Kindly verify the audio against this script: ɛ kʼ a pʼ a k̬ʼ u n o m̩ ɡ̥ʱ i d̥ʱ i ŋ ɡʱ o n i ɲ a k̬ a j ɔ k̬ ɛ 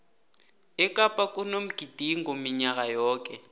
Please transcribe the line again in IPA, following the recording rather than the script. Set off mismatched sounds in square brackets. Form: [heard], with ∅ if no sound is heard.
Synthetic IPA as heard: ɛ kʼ a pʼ a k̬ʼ u n o m̩ ɡ̥ʱ i d̥ʱ i ŋ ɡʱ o [m] i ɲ a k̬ a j [ɔː] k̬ ɛ